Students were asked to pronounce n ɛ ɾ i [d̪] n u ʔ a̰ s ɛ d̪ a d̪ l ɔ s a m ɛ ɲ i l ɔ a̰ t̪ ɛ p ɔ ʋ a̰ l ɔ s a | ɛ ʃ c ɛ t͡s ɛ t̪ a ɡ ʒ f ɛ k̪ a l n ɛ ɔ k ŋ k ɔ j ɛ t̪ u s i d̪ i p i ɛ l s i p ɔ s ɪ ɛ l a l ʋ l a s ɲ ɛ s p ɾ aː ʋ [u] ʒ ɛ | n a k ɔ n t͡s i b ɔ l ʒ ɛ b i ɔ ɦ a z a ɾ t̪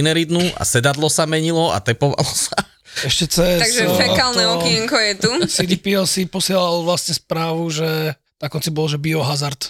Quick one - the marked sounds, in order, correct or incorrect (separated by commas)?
correct, correct